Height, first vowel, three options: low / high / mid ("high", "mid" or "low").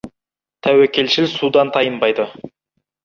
low